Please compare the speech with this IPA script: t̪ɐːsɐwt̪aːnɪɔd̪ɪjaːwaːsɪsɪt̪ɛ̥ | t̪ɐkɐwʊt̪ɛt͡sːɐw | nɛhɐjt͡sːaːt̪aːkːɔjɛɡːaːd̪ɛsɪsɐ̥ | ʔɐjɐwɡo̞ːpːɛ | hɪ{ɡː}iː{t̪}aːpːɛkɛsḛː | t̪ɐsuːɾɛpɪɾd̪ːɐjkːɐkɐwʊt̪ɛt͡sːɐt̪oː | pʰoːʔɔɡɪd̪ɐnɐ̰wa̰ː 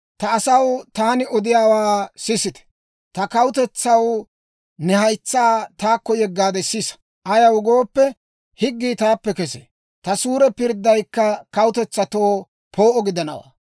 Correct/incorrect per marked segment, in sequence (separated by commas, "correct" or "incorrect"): correct, correct